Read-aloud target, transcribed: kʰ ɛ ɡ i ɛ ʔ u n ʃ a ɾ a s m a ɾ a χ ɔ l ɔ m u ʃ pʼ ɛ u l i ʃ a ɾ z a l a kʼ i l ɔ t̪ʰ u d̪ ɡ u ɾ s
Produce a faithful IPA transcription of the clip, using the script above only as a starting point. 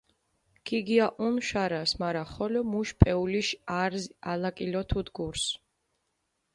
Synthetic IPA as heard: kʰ i ɡ i a ʔ u n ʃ a ɾ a s m a ɾ a χ ɔ l ɔ m u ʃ pʼ ɛ u l i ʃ a ɾ z a l a kʼ i l ɔ t̪ʰ u d̪ ɡ u ɾ s